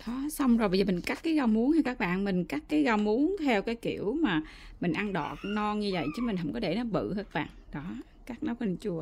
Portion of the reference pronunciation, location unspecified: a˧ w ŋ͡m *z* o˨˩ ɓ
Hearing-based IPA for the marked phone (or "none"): z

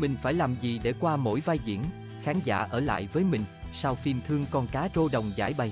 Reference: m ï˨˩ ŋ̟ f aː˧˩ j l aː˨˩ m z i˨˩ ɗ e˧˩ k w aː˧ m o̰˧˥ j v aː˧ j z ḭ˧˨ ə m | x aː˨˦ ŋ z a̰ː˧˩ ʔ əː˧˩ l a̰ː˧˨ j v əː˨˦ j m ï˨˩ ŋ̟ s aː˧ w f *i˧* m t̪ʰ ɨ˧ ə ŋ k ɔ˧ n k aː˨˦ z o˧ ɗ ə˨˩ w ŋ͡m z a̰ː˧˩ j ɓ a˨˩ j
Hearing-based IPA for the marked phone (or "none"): i˧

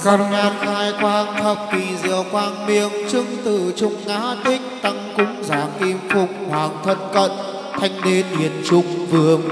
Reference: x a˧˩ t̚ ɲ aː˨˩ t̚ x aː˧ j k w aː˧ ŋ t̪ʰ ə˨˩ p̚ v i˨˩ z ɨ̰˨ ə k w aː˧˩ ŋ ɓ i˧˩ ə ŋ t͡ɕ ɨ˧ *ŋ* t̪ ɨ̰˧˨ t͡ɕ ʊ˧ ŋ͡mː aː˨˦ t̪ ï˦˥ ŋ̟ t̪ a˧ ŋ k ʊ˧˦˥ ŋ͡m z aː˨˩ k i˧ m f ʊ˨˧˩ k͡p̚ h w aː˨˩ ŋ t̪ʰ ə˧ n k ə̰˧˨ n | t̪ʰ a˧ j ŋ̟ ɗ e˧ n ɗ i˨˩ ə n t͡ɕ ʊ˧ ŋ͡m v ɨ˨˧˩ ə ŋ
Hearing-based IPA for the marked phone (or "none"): ŋ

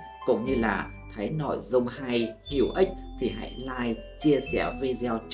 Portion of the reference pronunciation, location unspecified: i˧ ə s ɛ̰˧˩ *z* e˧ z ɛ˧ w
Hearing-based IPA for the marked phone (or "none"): v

